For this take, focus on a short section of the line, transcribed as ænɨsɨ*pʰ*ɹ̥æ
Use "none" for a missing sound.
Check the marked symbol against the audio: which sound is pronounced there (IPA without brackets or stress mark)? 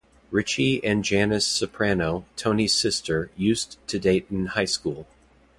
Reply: pʰ